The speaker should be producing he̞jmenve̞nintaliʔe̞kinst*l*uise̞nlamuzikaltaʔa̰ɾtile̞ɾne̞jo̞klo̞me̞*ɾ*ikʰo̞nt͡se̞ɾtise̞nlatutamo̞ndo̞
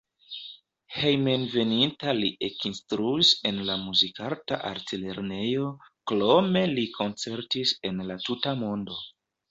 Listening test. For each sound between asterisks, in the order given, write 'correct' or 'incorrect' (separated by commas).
incorrect, incorrect